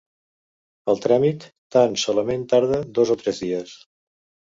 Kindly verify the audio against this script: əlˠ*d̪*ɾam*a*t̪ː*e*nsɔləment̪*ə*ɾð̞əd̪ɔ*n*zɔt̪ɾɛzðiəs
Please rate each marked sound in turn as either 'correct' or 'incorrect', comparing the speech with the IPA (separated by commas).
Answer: incorrect, incorrect, incorrect, incorrect, incorrect